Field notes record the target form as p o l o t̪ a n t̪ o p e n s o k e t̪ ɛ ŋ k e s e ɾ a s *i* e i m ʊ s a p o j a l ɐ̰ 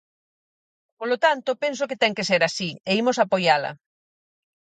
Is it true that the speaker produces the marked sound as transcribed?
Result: yes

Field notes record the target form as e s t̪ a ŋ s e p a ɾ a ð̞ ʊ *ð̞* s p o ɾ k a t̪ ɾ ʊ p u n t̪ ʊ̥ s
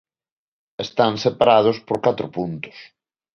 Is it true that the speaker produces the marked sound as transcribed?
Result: no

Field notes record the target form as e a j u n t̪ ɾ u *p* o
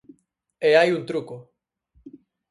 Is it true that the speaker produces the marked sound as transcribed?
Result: no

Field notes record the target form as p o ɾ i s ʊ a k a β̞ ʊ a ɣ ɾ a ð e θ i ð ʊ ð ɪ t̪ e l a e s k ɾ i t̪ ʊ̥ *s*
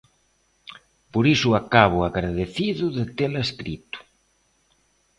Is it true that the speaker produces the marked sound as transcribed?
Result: no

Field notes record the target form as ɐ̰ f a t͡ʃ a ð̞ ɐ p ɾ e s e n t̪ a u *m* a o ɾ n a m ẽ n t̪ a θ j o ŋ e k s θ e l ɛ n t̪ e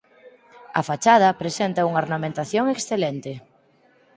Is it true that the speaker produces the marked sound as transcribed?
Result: no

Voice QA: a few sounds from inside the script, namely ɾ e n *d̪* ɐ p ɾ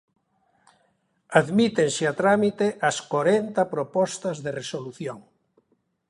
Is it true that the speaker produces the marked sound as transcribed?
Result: no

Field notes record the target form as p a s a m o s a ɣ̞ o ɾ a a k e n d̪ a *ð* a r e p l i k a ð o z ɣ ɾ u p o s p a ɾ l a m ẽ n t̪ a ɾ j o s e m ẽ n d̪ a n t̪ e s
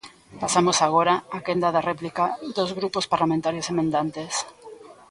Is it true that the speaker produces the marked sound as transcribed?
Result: yes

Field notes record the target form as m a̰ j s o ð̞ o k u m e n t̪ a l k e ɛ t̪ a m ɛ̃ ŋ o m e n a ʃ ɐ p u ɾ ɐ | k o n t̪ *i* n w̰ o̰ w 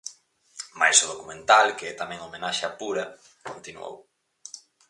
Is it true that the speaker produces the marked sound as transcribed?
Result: yes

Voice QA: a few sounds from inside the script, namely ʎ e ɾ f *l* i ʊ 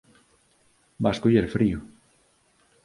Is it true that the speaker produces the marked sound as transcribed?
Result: no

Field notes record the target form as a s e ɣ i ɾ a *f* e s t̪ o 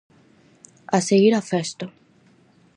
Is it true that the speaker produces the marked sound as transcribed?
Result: yes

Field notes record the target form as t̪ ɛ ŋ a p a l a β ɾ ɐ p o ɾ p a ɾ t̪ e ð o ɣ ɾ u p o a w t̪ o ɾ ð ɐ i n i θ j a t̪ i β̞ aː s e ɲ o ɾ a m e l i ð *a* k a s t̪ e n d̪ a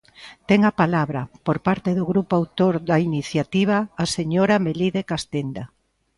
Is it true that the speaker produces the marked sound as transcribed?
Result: no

